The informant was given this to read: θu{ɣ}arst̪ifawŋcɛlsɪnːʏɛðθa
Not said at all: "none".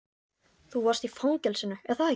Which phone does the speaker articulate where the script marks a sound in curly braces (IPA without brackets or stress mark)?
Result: v